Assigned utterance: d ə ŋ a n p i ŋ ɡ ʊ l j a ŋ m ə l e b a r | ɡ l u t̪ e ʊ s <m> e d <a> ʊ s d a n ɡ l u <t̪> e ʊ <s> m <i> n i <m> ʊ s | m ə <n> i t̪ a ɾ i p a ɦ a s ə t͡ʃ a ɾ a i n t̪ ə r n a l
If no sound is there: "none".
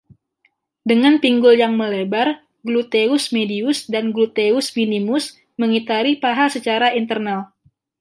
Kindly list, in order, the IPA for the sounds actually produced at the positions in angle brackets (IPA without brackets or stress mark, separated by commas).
m, i, t̪, s, i, m, ŋ